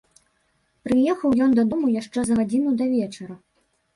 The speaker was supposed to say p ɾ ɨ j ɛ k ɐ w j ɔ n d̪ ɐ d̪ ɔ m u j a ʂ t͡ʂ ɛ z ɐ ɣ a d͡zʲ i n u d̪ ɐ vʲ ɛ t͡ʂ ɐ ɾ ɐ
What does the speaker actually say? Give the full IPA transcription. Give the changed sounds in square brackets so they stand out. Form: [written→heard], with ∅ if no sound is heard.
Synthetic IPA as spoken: p ɾ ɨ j ɛ [k→x] ɐ w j ɔ n d̪ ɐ d̪ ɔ m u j a ʂ t͡ʂ ɛ z ɐ ɣ a d͡zʲ i n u d̪ ɐ vʲ ɛ t͡ʂ ɐ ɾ ɐ